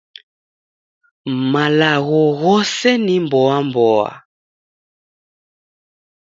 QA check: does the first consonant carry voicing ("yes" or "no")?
yes